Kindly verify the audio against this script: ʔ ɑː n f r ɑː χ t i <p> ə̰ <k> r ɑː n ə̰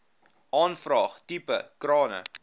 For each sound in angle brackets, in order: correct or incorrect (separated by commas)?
correct, correct